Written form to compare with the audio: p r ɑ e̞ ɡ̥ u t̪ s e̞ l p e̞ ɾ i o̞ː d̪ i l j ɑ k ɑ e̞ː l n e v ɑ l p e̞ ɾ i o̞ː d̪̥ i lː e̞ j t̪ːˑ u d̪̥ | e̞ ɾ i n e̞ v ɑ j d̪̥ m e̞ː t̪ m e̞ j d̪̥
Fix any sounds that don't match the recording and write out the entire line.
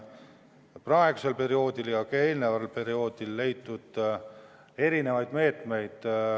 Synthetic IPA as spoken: p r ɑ e̞ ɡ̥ u s e̞ l p e̞ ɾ i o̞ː d̪ i l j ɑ k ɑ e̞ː l n e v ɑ l p e̞ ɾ i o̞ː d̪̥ i lː e̞ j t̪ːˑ u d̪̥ | e̞ ɾ i n e̞ v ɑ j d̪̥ m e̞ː t̪ m e̞ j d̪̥